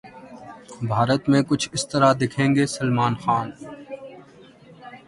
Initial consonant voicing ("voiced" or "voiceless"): voiced